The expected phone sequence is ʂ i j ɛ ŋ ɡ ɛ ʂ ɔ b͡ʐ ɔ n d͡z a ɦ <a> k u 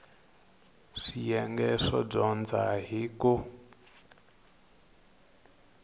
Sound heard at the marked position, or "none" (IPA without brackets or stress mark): i